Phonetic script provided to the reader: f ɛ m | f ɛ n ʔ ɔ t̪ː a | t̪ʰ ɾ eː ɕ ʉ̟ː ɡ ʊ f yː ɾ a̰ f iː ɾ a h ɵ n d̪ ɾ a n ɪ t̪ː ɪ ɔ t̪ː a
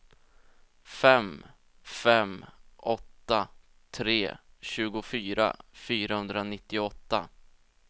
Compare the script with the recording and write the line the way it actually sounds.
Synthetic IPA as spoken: f ɛ m | f ɛ m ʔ ɔ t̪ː a | t̪ʰ ɾ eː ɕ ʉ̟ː ɡ ʊ f yː ɾ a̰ f yː ɾ a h ɵ n d̪ ɾ a n ɪ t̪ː ɪ ɔ t̪ː a